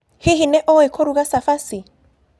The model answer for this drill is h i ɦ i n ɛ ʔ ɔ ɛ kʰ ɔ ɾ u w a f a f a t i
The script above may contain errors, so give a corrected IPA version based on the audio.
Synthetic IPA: h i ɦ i n ɛ ʔ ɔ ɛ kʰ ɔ ɾ u ɣ a s a f a s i